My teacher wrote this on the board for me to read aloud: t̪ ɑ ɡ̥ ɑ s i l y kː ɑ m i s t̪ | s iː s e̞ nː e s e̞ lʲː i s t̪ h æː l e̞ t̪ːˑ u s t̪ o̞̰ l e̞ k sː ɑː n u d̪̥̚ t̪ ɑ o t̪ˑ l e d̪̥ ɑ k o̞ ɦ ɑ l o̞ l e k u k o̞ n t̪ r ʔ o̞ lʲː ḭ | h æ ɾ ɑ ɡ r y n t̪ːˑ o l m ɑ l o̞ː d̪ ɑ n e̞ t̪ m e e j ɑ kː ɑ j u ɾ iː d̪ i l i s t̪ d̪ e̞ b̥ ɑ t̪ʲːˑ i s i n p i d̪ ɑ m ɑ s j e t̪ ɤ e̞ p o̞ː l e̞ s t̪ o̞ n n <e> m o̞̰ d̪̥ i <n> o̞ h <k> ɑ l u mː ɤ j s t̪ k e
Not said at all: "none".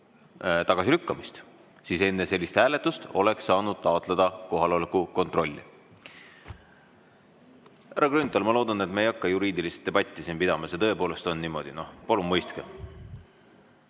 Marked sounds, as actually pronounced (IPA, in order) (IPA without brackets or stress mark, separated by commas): i, n, p